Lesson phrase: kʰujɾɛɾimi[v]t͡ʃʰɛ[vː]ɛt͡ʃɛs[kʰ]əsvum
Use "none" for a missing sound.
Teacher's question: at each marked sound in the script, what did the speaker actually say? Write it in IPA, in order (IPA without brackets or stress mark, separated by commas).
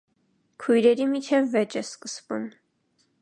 none, vː, k